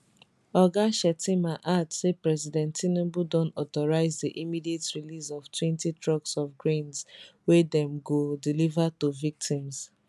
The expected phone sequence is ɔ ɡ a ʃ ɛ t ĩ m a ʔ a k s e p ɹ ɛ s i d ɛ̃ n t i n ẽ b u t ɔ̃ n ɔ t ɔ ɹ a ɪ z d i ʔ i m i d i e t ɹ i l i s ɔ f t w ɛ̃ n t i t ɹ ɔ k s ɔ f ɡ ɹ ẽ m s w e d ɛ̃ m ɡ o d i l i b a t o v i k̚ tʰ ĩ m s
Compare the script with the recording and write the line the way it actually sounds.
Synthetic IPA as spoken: ɔ ɡ a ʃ ɛ t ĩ m a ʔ a t s e p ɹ ɛ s i d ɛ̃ n t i n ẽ b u d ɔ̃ n ɔ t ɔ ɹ a ɪ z d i ʔ i m i d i e t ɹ i l i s ɔ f t w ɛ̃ n t i t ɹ ɔ k s ɔ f ɡ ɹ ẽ n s w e d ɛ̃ m ɡ o d i l i v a t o v i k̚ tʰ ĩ m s